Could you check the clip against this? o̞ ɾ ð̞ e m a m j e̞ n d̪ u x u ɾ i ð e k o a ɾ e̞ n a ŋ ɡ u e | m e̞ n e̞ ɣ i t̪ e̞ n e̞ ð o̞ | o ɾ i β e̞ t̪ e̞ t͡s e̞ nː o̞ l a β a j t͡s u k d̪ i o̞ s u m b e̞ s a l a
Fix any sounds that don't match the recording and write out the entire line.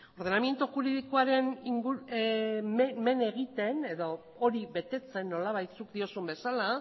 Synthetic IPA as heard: o̞ ɾ ð̞ e n a m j e̞ n t̪ u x u ɾ i ð i k o a ɾ e̞ n i ŋ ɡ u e | m e̞ n e̞ ɣ i t̪ e̞ n e̞ ð o̞ | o ɾ i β e̞ t̪ e̞ t͡s e̞ nː o̞ l a β a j t͡s u k d̪ i o̞ s u m b e̞ s a l a